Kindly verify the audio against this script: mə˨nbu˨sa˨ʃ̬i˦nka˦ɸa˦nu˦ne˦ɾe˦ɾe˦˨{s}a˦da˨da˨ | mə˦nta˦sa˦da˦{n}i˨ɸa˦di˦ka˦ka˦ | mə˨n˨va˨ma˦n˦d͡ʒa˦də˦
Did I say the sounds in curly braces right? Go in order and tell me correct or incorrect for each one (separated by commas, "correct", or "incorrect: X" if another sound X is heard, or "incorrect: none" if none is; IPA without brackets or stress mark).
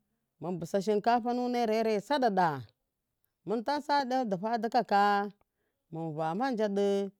correct, incorrect: d